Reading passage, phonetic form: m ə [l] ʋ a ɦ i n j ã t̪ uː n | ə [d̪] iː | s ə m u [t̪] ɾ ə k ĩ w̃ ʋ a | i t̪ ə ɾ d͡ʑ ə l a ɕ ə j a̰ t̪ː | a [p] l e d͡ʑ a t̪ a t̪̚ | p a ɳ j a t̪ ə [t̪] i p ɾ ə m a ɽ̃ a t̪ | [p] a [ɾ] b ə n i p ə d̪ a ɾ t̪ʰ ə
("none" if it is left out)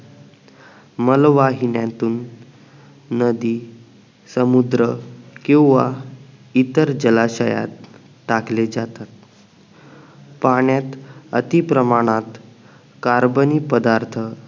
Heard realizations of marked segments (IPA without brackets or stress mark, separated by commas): l, d̪, d̪, k, t̪, k, ɾ